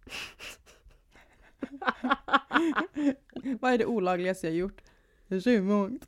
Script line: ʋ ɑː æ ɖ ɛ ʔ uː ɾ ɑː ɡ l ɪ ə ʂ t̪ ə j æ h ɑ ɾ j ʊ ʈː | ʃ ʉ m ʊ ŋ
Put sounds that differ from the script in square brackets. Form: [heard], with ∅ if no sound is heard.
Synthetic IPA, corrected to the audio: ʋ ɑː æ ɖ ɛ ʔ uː [l] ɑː ɡ l ɪ ə [s] t̪ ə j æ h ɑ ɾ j ʊ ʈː | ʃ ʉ m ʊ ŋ